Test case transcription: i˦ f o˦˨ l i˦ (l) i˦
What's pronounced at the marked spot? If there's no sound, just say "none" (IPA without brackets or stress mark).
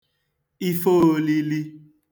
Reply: l